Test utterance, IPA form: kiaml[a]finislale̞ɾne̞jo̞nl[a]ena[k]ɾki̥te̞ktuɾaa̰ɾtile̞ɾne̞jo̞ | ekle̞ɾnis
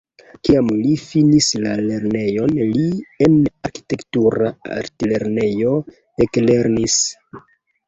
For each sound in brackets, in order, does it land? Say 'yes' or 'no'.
no, no, no

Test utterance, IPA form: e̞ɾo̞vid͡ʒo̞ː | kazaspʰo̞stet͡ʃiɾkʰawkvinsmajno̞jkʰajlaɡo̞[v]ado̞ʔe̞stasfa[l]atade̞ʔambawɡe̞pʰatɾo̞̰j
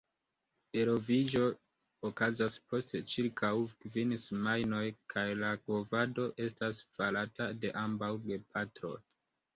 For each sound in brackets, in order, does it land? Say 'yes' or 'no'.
yes, yes

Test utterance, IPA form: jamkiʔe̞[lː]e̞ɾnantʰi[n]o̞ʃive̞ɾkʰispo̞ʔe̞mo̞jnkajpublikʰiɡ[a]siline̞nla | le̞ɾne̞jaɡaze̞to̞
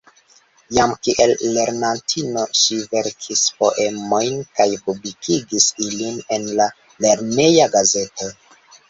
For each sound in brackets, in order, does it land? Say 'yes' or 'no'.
yes, yes, no

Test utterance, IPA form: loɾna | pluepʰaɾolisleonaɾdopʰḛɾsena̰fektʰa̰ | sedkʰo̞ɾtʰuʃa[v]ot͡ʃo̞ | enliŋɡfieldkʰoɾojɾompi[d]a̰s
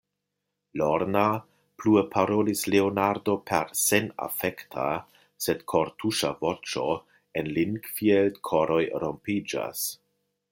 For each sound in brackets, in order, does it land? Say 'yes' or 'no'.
yes, no

